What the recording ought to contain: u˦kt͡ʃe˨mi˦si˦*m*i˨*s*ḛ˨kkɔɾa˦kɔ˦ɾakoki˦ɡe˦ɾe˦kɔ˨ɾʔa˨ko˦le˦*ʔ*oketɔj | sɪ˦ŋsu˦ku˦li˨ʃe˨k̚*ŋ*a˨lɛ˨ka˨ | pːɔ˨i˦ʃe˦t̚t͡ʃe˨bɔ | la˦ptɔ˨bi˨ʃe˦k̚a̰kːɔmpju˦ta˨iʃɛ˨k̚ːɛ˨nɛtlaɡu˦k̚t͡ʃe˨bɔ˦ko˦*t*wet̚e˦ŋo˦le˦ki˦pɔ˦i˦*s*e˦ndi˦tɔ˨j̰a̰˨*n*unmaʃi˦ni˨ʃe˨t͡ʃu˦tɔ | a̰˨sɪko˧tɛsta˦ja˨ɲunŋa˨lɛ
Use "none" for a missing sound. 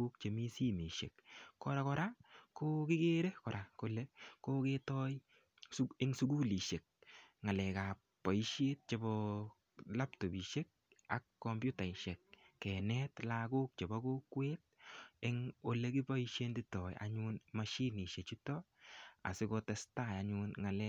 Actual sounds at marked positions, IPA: m, ʃ, k, ŋ, k, ʃ, ɲ

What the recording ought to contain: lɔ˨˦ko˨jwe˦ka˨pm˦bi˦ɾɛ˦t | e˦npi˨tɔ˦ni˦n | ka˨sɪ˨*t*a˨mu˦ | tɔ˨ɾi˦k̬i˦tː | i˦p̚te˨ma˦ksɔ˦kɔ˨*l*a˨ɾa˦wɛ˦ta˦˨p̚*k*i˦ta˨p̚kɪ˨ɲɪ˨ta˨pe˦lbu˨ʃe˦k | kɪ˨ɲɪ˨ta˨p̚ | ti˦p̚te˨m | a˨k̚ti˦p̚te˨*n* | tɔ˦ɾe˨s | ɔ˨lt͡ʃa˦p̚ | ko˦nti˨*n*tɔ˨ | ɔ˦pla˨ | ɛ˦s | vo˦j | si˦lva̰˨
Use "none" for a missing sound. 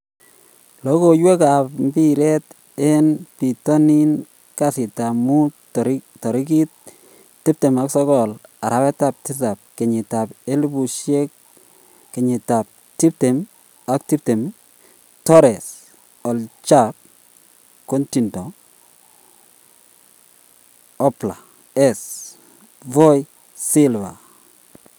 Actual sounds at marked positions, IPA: t, l, t, m, n

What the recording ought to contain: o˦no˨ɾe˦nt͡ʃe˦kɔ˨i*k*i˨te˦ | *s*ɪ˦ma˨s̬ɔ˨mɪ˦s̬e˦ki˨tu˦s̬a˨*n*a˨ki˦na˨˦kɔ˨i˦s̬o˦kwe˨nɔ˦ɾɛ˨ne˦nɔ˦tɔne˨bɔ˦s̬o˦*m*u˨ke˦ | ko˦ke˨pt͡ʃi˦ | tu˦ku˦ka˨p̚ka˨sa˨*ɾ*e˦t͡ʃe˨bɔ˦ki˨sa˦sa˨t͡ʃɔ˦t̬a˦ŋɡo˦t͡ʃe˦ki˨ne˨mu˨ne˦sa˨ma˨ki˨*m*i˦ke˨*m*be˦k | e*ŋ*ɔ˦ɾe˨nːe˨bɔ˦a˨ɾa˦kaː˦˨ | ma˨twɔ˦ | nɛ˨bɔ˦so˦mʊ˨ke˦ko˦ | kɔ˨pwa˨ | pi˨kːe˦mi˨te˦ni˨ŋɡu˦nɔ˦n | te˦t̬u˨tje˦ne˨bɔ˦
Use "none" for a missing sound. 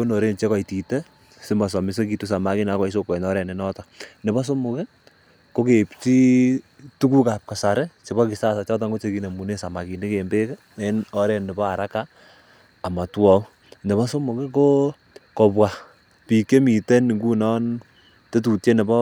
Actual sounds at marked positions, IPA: t, s, m, m, ɾ, n, m, n

